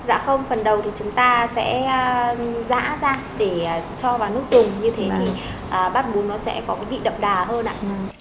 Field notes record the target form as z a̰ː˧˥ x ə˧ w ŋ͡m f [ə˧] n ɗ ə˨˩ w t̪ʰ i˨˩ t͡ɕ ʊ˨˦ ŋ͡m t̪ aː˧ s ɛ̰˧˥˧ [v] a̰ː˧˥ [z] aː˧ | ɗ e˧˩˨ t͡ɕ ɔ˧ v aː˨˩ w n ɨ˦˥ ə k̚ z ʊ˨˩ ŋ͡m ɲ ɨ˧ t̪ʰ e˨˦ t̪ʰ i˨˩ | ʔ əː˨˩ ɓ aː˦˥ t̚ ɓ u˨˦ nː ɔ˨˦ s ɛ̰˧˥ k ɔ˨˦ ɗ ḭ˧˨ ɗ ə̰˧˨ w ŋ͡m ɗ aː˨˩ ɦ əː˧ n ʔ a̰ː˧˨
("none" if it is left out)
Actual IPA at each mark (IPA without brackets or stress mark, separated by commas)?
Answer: ə˨˩, z, z